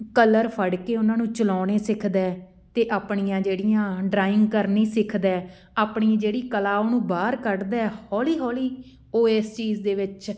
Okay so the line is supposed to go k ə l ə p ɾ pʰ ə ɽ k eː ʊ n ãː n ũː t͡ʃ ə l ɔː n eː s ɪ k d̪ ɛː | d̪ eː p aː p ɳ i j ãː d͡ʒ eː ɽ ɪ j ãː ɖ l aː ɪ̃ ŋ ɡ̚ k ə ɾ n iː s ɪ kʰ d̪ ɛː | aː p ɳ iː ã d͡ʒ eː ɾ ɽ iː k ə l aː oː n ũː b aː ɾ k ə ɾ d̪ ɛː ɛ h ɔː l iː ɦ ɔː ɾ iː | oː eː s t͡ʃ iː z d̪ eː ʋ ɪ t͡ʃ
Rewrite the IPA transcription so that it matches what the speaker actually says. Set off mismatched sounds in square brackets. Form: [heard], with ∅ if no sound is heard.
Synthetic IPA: k ə l ə [∅] ɾ pʰ ə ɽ k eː ʊ n ãː n ũː t͡ʃ ə l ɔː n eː s ɪ [kʰ] d̪ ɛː | [t̪] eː [ʔ] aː p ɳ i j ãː d͡ʒ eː ɽ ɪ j ãː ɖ [ɾ] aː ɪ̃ ŋ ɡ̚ k ə ɾ n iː s ɪ kʰ d̪ ɛː | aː p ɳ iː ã d͡ʒ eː [∅] ɽ iː k ə l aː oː n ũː b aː ɾ k ə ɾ d̪ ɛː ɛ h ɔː l iː ɦ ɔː [l] iː | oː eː s t͡ʃ iː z d̪ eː ʋ ɪ t͡ʃ